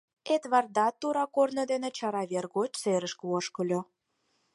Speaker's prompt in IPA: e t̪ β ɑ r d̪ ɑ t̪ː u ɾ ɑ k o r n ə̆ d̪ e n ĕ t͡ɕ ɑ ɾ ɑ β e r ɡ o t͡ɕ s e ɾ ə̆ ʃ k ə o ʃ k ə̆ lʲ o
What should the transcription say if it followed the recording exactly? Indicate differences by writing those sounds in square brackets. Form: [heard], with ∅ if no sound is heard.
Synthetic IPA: e t̪ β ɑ r d̪ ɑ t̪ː u ɾ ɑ k o r n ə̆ d̪ e n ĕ t͡ɕ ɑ ɾ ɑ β e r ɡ o t͡ɕ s e ɾ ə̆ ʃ k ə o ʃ k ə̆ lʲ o